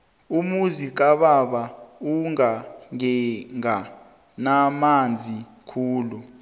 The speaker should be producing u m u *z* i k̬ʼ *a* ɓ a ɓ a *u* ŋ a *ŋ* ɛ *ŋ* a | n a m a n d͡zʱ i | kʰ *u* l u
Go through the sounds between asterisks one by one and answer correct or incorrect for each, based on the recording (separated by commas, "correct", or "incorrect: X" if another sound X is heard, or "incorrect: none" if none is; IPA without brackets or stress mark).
correct, correct, correct, correct, correct, incorrect: uː